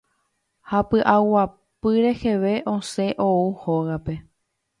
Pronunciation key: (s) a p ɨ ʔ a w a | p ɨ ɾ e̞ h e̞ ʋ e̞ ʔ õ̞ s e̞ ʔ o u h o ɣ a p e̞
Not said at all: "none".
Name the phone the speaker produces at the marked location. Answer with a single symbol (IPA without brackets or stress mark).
h